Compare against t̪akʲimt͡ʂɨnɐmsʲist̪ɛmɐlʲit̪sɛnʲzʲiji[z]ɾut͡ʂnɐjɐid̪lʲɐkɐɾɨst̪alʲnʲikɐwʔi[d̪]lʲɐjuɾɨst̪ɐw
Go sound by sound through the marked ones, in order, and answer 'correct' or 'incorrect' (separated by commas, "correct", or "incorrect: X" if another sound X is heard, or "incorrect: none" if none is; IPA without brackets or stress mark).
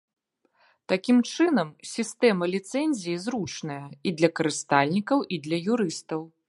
correct, correct